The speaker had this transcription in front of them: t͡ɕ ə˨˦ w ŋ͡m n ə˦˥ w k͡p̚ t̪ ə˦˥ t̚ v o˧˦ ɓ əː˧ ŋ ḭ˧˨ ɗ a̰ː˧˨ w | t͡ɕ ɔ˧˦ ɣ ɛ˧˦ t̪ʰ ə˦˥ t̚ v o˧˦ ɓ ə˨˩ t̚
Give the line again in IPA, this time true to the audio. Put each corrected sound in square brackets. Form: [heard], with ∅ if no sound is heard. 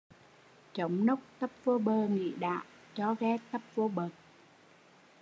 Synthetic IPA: t͡ɕ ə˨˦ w ŋ͡m n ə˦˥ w k͡p̚ t̪ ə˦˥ [p̚] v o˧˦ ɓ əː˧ ŋ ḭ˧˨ ɗ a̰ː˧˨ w | t͡ɕ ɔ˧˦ ɣ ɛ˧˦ [t̪] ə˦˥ [p̚] v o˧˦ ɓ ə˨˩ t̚